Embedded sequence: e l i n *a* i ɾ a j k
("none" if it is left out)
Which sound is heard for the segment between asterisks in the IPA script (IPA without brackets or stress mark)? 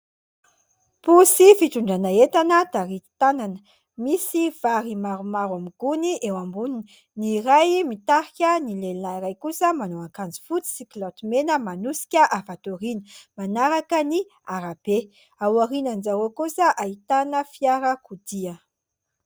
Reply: a